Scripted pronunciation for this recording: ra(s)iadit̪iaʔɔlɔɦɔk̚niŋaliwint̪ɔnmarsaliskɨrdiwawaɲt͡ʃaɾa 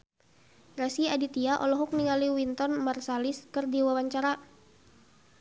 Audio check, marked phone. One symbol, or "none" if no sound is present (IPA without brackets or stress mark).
s